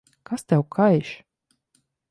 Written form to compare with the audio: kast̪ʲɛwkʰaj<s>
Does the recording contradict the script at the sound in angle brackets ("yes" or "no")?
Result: yes